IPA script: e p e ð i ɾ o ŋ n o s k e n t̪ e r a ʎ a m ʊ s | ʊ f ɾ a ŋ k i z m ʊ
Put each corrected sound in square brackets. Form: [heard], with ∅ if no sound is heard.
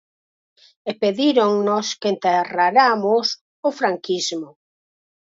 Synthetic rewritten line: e p e ð i ɾ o ŋ n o s k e n t̪ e r a [ɾ] a m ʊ s | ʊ f ɾ a ŋ k i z m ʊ

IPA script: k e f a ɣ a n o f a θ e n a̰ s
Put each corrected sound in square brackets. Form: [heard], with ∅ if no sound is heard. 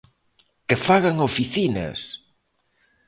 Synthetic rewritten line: k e f a ɣ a [ŋ] o f [i] θ [i] n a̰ s

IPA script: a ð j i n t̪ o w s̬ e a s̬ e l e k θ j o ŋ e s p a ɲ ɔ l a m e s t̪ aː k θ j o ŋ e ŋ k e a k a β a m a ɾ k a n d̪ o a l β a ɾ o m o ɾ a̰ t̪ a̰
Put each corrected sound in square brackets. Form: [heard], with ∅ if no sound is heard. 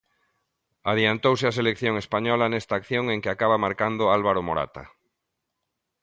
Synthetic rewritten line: a ð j [a] n t̪ o w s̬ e a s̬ e l e k θ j o ŋ e s p a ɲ ɔ l a [n] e s t̪ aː k θ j o ŋ e ŋ k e a k a β a m a ɾ k a n d̪ o a l β a ɾ o m o ɾ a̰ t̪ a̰

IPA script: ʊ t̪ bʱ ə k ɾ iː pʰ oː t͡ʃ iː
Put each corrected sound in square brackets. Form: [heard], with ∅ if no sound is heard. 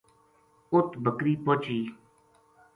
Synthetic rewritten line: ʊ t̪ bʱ ə k ɾ iː [p] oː t͡ʃ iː

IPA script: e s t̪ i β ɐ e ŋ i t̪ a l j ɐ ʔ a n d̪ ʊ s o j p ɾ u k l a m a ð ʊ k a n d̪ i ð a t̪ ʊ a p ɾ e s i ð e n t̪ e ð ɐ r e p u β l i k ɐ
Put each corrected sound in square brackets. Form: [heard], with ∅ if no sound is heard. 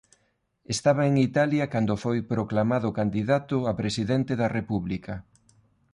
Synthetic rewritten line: e s t̪ [a] β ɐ e ŋ i t̪ a l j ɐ [k] a n d̪ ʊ [f] o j p ɾ [o] k l a m a ð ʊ k a n d̪ i ð a t̪ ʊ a p ɾ e s i ð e n t̪ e ð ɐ r e p u β l i k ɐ

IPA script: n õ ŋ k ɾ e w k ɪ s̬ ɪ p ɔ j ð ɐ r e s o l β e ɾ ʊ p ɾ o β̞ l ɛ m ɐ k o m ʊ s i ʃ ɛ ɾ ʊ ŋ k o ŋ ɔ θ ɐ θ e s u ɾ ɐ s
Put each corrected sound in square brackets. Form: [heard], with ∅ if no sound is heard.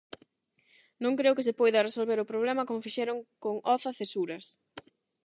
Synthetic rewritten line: n õ ŋ k ɾ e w k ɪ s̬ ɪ p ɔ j ð ɐ r e s o l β e ɾ ʊ p ɾ o β̞ l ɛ m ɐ k o m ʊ [f] i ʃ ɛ ɾ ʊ ŋ k o ŋ ɔ θ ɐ θ e s u ɾ ɐ s

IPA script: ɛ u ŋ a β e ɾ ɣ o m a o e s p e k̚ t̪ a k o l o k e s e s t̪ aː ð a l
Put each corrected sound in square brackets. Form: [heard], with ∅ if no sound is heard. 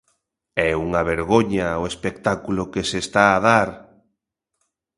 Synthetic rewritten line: ɛ u ŋ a β e ɾ ɣ o [ɲ] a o e s p e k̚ t̪ a k [u] l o k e s e s t̪ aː ð a [ɾ]

